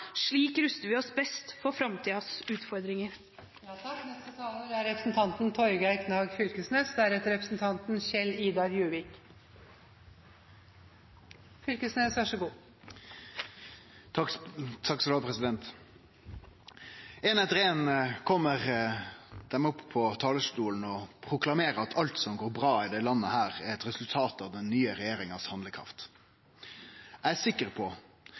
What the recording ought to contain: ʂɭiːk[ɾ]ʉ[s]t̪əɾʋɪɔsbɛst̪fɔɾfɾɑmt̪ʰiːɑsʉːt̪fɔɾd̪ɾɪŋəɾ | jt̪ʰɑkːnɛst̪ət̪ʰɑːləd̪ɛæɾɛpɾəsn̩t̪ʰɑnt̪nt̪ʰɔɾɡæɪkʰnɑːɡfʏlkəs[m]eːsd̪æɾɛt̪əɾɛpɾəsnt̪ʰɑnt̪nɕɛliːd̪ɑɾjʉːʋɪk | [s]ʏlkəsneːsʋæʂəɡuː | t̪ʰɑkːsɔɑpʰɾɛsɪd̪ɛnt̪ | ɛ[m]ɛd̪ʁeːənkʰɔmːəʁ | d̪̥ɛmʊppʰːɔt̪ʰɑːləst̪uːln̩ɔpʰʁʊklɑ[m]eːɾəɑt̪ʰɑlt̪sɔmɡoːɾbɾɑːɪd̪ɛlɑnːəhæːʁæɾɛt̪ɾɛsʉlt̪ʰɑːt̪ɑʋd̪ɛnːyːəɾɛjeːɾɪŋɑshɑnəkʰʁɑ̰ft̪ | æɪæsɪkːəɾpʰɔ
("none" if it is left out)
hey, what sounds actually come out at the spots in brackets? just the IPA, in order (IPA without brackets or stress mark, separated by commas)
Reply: ɾ, s, n, f, n, m